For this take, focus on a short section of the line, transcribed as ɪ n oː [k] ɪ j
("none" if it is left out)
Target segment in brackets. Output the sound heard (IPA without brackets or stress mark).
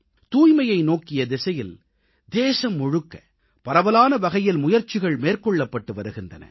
k